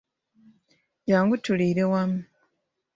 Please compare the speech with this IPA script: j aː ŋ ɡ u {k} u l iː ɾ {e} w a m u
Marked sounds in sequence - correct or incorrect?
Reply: incorrect, correct

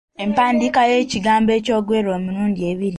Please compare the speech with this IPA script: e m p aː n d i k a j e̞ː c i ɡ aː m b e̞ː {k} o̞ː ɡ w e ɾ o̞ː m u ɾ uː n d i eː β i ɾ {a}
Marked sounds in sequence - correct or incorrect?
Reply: incorrect, incorrect

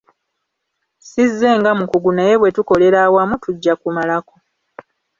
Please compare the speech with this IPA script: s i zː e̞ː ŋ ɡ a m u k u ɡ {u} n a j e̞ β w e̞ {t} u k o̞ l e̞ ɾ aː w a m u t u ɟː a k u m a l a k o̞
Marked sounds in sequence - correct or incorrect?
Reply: correct, correct

